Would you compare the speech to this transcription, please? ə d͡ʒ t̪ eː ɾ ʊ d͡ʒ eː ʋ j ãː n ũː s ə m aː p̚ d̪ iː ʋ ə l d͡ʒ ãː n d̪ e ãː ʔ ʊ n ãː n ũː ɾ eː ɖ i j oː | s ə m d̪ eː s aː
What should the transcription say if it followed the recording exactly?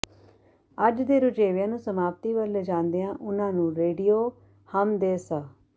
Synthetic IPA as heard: ə d͡ʒ d̪ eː ɾ ʊ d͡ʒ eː ʋ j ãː n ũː s ə m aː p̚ t̪ iː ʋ ə l d͡ʒ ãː n d̪ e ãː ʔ ʊ n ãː n ũː ɾ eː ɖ i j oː | h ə m d̪ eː s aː